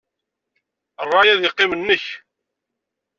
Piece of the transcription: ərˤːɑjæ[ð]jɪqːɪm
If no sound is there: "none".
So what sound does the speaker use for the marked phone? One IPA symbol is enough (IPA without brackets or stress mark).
ð